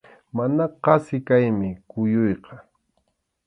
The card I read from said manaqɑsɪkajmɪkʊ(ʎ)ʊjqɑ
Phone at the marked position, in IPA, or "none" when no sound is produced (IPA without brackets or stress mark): j